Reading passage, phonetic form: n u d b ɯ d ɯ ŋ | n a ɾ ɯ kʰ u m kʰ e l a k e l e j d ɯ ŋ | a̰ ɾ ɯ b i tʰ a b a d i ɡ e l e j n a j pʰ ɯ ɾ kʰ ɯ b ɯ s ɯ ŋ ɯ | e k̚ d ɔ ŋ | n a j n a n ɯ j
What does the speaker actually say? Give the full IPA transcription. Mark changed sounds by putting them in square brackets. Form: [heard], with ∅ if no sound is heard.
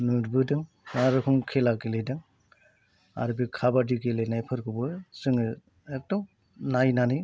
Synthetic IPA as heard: n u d b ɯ d ɯ ŋ | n a ɾ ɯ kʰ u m kʰ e l a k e l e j d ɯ ŋ | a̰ ɾ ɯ b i [kʰ] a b a d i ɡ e l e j n a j pʰ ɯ ɾ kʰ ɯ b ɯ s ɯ ŋ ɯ | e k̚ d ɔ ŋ | n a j n a n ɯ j